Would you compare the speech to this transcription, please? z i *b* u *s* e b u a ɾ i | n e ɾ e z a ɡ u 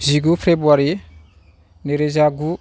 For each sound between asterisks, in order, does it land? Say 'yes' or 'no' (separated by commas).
no, no